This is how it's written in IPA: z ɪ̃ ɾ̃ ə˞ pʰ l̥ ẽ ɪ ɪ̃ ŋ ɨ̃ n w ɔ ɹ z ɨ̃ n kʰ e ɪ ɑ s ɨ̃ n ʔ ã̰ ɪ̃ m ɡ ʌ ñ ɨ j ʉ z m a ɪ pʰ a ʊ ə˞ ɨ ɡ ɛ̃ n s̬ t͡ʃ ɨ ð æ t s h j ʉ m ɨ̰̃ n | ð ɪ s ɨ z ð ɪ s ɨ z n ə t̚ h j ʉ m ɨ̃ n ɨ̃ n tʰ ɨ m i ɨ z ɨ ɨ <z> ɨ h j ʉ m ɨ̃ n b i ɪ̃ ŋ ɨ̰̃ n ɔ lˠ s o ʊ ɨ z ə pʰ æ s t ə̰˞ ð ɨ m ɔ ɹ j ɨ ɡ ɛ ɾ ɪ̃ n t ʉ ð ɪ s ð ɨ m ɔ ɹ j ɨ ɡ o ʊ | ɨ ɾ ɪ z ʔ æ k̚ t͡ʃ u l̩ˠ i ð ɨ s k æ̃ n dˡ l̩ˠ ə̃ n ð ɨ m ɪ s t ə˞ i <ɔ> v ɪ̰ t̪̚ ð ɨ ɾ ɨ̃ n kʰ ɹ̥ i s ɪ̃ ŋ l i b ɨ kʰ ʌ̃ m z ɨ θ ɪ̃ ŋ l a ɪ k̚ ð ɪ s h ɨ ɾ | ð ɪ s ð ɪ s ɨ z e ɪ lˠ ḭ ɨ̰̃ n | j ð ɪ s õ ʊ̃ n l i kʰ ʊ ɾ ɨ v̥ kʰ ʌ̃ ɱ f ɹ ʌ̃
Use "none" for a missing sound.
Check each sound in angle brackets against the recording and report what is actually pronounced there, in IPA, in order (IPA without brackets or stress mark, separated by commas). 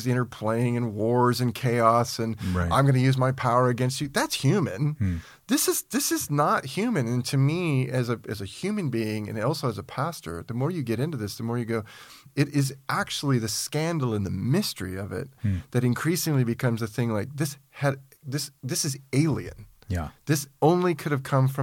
z, ʌ